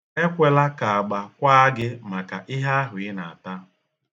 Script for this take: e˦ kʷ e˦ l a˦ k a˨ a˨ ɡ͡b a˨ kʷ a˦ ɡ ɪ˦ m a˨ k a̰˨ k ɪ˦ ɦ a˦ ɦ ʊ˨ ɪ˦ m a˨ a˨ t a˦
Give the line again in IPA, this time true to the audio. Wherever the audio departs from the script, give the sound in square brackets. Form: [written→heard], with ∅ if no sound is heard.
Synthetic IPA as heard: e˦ kʷ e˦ l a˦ k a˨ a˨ ɡ͡b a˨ kʷ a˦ ɡ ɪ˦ m a˨ k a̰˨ [k→ʔ] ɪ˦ ɦ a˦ ɦ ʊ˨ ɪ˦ [m→n] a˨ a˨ t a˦